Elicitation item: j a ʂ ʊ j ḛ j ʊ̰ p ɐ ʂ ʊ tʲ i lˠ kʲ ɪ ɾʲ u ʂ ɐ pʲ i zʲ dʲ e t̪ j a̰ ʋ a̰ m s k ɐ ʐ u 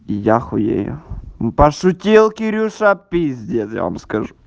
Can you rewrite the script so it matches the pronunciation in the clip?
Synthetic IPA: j a x ʊ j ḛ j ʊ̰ p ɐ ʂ ʊ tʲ i lˠ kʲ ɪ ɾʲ u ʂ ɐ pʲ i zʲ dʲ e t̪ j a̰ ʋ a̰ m s k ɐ ʐ u